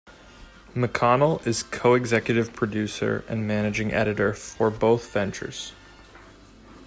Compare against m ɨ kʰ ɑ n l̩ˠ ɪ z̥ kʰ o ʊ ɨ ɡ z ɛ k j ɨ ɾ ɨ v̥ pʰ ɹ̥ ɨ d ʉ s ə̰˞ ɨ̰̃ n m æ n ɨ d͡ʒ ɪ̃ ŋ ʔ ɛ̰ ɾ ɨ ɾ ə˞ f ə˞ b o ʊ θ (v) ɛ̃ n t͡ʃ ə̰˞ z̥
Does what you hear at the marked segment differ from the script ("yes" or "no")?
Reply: no